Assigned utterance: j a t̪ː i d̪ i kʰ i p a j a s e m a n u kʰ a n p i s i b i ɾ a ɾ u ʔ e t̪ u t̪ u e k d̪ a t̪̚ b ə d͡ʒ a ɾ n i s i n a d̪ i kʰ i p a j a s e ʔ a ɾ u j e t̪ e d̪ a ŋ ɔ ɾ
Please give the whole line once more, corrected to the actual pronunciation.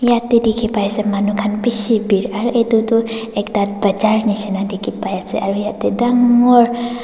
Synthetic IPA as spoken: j a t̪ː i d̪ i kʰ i p a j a s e m a n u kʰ a n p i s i b i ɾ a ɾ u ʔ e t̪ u t̪ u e k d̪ a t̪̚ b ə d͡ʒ a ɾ n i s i n a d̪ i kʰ i p a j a s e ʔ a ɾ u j a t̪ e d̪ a ŋ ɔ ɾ